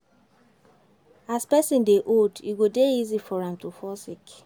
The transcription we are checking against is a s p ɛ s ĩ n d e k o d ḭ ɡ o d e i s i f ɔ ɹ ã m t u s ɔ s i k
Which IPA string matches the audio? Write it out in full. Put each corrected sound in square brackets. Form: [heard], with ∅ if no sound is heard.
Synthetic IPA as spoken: a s p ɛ s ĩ n d e [ʔ] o d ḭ ɡ o d e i [z] i f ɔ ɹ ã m t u [f] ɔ s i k